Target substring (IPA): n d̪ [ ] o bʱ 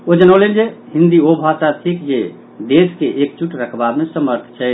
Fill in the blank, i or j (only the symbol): i